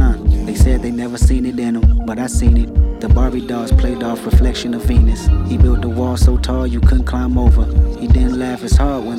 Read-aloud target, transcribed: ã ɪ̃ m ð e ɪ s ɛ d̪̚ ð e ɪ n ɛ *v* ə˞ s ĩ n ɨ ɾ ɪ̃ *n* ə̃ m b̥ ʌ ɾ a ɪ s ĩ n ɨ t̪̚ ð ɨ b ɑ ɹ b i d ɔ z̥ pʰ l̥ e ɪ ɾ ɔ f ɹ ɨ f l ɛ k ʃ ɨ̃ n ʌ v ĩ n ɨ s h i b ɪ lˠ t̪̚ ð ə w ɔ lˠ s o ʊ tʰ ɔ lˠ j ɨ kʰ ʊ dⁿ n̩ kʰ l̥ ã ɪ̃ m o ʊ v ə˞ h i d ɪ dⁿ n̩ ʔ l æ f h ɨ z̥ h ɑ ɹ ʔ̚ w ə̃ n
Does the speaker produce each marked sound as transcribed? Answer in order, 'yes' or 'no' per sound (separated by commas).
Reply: yes, yes